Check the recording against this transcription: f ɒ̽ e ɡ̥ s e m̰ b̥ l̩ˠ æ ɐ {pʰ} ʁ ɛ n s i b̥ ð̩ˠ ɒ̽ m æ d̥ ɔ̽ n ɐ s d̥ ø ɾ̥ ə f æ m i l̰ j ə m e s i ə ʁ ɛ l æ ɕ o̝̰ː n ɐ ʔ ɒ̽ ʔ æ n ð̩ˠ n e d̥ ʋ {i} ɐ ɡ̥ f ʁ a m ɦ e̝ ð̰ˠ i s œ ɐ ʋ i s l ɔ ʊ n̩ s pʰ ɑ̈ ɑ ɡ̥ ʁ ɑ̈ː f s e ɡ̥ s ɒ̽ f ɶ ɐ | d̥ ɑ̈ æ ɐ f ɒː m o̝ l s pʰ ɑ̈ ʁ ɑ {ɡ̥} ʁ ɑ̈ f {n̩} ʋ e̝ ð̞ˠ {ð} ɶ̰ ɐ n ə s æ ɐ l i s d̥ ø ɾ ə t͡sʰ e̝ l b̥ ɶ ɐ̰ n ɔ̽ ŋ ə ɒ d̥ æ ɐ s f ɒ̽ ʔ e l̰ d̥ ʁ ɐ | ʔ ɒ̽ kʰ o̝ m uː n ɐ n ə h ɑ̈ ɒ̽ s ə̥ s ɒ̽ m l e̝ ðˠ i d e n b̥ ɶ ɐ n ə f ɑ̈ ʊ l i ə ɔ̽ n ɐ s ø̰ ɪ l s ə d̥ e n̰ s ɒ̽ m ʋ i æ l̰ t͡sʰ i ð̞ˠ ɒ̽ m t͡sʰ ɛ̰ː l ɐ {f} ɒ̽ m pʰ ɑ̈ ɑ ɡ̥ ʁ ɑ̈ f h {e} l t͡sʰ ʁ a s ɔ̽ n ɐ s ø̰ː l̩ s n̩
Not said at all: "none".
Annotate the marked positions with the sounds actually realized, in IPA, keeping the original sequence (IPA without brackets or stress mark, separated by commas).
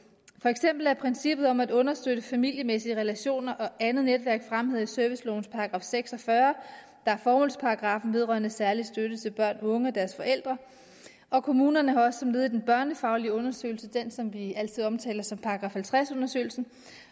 pʰ, æ, ɡ̥, n̩, ʁ, s, æ